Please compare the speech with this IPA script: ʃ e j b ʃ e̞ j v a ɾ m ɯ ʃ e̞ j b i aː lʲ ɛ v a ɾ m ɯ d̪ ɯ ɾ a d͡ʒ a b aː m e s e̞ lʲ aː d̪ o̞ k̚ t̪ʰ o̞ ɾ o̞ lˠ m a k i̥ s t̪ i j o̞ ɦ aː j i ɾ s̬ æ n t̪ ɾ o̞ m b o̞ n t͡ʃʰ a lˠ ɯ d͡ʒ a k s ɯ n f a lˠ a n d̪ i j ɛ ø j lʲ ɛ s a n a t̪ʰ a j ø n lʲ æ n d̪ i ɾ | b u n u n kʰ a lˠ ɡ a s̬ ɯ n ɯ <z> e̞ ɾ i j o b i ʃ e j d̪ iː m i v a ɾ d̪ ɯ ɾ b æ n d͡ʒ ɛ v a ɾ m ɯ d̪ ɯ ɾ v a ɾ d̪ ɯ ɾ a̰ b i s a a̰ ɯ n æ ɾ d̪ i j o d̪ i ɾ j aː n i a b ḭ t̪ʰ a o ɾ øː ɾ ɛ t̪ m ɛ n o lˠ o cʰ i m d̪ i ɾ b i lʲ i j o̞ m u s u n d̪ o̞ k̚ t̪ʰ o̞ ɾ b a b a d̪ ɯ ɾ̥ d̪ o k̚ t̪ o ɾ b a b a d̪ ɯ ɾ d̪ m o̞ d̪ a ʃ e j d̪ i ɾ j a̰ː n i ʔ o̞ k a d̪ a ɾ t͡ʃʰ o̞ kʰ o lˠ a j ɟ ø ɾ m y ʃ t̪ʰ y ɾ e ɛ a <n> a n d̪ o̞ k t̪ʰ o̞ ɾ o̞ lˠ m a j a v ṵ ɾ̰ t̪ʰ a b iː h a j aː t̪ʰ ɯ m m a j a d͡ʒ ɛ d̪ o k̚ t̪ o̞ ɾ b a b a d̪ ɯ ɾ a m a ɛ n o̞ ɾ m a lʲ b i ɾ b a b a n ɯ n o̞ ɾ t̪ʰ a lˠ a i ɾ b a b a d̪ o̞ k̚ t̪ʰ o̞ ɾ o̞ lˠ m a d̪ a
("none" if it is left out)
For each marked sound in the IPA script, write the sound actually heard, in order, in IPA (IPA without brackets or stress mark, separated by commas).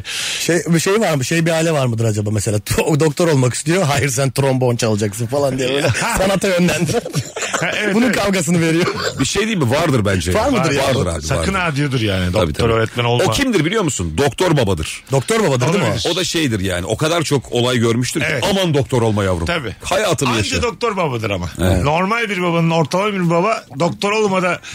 v, m